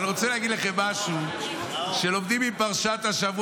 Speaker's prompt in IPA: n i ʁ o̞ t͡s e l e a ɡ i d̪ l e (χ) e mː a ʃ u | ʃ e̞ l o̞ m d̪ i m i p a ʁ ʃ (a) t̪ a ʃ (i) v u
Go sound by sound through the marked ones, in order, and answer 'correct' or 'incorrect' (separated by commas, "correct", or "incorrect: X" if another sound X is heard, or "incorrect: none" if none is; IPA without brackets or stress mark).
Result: correct, correct, incorrect: a